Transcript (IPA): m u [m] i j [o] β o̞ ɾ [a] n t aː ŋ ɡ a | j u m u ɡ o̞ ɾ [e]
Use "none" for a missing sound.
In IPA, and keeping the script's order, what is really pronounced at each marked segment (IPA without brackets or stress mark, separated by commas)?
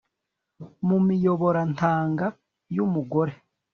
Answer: m, o, a, e